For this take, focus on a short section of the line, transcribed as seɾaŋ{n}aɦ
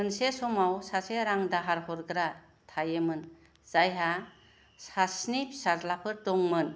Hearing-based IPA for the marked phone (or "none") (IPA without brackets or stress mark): d